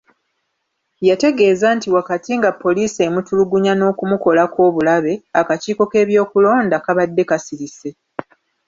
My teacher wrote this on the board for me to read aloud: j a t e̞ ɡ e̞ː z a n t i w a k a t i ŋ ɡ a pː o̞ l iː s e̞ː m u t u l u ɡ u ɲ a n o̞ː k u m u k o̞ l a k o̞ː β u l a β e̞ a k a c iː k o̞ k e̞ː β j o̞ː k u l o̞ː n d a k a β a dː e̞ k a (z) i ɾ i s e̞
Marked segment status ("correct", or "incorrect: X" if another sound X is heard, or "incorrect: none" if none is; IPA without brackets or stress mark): incorrect: s